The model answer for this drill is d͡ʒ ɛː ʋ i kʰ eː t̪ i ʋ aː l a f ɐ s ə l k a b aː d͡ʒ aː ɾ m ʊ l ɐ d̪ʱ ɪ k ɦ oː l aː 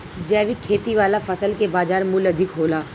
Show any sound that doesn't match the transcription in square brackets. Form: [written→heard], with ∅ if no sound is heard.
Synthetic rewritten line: d͡ʒ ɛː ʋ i kʰ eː t̪ i ʋ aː l a f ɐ s ə l k [a→e] b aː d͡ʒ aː ɾ m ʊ l ɐ d̪ʱ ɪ k ɦ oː l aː

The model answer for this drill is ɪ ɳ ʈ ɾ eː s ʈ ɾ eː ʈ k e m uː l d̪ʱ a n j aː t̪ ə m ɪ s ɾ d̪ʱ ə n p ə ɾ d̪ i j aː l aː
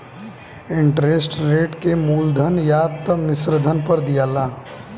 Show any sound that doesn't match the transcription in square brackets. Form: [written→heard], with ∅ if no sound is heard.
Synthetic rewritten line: ɪ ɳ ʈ ɾ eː s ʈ ɾ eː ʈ k e m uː l d̪ʱ [a→ə] n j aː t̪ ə m ɪ s ɾ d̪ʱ ə n p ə ɾ d̪ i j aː l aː

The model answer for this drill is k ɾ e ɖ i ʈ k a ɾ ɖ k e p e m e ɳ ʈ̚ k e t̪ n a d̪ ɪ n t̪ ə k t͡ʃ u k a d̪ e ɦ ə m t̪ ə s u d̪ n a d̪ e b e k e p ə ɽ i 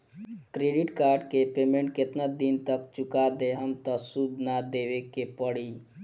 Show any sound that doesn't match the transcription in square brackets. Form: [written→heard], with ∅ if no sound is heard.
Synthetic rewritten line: k ɾ e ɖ i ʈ k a ɾ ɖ k e p e m e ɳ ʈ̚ k e t̪ n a d̪ [ɪ→i] n t̪ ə k t͡ʃ u k a d̪ e ɦ ə m t̪ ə s u d̪ n a d̪ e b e k e p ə ɽ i

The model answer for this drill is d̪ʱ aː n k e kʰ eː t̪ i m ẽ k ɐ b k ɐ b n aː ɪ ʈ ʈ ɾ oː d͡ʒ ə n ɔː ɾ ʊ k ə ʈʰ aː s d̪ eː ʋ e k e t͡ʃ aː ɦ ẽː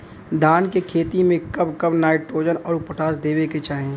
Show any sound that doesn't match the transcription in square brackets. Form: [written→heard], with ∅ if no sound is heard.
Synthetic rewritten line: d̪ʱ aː n k e kʰ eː t̪ i m ẽ k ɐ b k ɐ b n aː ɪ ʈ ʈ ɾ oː d͡ʒ ə n ɔː ɾ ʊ [k→p] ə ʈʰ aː s d̪ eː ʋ e k e t͡ʃ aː ɦ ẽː

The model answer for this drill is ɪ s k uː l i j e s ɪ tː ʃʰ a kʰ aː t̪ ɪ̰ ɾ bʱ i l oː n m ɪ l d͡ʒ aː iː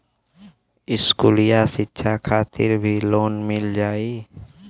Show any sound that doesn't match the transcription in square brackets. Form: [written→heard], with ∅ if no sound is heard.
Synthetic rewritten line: ɪ s k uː l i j [e→a] s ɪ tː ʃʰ a kʰ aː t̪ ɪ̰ ɾ bʱ i l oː n m ɪ l d͡ʒ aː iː

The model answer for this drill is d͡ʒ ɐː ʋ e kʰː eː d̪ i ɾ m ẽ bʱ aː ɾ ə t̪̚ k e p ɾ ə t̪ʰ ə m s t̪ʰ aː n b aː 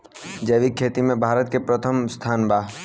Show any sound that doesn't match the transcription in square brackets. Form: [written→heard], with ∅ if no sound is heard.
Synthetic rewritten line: d͡ʒ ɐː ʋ [e→i] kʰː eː [d̪→t̪] i [ɾ→∅] m ẽ bʱ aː ɾ ə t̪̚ k e p ɾ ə t̪ʰ ə m s t̪ʰ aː n b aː

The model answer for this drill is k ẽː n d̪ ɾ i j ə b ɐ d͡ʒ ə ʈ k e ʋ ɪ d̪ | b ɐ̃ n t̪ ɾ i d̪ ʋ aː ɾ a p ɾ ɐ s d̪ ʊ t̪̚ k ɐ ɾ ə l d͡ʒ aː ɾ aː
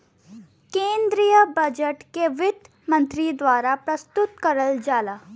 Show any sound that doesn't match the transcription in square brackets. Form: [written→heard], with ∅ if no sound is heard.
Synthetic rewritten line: k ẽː n d̪ ɾ i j ə b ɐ d͡ʒ ə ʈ k e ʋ ɪ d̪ | [b→m] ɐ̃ n t̪ ɾ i d̪ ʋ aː ɾ a p ɾ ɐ s [d̪→t̪] ʊ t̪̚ k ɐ ɾ ə l d͡ʒ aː [ɾ→l] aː

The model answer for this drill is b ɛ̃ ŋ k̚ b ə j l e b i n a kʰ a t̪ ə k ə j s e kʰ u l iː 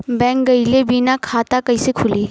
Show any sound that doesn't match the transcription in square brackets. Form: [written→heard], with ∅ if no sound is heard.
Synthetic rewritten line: b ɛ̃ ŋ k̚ [b→ɡ] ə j l e b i n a kʰ a t̪ [ə→a] k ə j s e kʰ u l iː

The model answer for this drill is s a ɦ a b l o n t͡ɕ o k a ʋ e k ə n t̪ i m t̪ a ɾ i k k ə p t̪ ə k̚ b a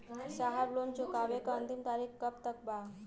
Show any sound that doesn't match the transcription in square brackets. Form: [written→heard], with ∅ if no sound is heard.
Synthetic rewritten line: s a ɦ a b l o n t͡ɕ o k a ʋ e k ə n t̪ i m t̪ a ɾ i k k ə p t̪ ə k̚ b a

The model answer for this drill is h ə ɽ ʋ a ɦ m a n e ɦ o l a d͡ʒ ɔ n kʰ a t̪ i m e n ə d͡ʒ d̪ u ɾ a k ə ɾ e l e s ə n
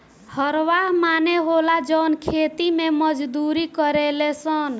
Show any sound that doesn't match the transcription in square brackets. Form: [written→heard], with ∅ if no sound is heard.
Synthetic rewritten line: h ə [ɽ→ɾ] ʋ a ɦ m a n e ɦ o l a d͡ʒ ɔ n kʰ [a→e] t̪ i m e [n→m] ə d͡ʒ d̪ u ɾ [a→i] k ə ɾ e l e s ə n

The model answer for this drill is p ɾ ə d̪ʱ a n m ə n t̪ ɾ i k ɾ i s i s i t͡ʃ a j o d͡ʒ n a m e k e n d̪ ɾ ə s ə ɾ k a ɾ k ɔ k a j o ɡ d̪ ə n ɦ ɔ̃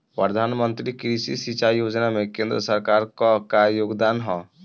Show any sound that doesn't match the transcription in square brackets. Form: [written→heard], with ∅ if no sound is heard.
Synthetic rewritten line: p ɾ ə d̪ʱ a n m ə n t̪ ɾ i k ɾ i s i s i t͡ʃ a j o d͡ʒ n a m e k e n d̪ ɾ ə s ə ɾ k a ɾ k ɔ k a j o ɡ d̪ [ə→a] n ɦ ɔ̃

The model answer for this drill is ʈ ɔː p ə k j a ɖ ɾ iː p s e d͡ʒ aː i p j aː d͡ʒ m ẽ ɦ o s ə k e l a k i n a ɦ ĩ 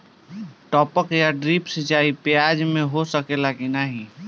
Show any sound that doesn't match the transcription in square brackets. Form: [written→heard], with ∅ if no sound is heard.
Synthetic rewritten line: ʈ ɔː p ə k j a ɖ ɾ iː p s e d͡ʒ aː i p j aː d͡ʒ m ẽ ɦ o s ə k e l a k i n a ɦ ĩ

